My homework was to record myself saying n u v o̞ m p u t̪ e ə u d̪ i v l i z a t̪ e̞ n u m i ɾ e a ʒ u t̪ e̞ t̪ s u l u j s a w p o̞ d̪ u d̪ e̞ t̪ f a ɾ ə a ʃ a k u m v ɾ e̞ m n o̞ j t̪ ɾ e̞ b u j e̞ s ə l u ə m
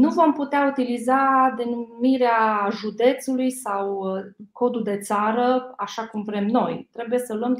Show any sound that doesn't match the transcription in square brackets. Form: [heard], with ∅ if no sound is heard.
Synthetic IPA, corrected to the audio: n u v o̞ m p u t̪ e [a] u [t̪] i [∅] l i z a [d̪] e̞ n u m i ɾ e a ʒ u [d̪] e̞ t̪ s u l u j s a w [k] o̞ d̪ u d̪ e̞ t̪ [s] a ɾ ə a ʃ a k u m v ɾ e̞ m n o̞ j t̪ ɾ e̞ b u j e̞ s ə l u ə m